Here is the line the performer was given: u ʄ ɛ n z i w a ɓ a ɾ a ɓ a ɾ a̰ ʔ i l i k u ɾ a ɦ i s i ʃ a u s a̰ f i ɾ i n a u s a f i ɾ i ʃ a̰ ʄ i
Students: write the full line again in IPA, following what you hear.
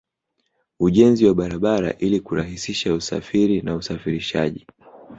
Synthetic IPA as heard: u ʄ ɛ n z i w a ɓ a ɾ a ɓ a ɾ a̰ ʔ i l i k u ɾ a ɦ i s i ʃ a u s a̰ f i ɾ i n a u s a f i ɾ i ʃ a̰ ʄ i